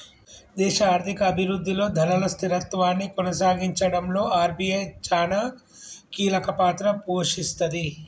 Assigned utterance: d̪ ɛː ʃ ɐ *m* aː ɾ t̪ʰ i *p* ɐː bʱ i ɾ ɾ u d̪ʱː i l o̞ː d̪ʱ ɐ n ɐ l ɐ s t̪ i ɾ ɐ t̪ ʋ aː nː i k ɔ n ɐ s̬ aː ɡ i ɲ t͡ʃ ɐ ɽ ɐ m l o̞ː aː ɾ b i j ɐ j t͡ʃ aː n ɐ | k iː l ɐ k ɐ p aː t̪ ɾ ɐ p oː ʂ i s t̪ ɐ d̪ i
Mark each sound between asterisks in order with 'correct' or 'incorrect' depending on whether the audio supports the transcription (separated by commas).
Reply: incorrect, incorrect